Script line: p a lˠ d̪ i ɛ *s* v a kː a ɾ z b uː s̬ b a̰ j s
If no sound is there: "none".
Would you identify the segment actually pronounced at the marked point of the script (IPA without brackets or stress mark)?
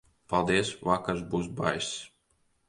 s